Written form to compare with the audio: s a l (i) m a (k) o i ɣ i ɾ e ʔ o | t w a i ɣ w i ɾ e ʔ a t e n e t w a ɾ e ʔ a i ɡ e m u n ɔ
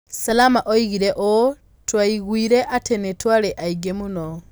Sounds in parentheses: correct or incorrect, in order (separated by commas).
incorrect, incorrect